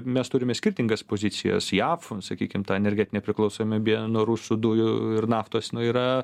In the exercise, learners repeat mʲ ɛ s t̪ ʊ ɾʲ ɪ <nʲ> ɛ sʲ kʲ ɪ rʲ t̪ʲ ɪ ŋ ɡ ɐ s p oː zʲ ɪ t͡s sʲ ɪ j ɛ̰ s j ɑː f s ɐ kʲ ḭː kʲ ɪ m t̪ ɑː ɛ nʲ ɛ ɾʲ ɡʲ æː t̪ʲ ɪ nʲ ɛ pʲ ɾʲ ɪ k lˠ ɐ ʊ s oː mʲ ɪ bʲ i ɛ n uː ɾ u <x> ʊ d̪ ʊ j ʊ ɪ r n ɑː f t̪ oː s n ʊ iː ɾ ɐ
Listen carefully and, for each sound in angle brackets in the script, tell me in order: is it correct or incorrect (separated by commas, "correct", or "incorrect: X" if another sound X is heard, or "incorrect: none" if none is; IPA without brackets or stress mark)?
incorrect: mʲ, incorrect: s